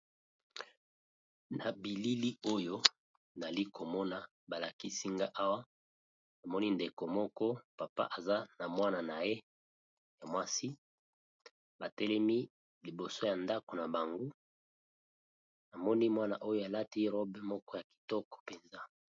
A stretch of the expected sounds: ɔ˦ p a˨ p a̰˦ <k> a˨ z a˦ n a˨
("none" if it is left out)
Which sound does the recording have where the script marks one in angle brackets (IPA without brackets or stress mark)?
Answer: ʔ